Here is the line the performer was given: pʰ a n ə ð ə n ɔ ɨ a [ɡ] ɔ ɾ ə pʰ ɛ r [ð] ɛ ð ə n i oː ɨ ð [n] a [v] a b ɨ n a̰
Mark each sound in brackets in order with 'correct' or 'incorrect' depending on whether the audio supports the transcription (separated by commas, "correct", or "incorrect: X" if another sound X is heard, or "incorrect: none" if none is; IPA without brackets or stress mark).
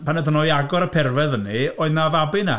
correct, incorrect: v, correct, correct